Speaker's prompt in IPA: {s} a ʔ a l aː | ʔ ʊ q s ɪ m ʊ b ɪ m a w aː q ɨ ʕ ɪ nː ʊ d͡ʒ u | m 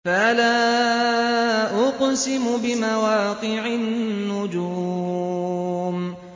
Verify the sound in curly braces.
incorrect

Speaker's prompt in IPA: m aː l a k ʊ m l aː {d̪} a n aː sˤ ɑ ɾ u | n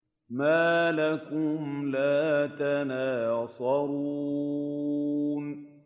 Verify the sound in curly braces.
incorrect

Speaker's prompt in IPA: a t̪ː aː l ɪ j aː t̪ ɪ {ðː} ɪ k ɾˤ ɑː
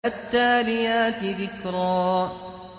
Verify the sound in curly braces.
incorrect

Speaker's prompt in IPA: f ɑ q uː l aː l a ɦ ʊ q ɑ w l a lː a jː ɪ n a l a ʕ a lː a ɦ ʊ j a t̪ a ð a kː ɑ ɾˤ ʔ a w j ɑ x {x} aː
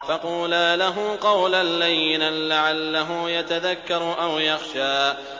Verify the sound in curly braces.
incorrect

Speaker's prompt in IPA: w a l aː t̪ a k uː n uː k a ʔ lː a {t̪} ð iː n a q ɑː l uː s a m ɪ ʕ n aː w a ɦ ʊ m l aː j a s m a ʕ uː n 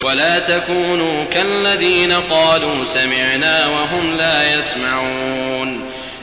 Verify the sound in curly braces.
incorrect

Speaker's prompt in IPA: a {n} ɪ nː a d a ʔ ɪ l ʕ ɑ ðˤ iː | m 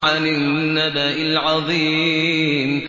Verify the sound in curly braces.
correct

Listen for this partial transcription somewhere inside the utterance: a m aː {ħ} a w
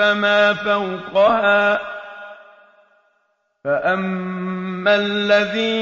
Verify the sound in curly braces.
incorrect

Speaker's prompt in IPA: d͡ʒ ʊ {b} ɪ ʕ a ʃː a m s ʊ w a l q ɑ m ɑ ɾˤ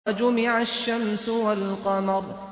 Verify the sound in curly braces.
incorrect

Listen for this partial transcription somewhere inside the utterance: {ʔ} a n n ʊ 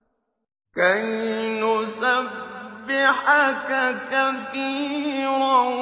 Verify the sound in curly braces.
incorrect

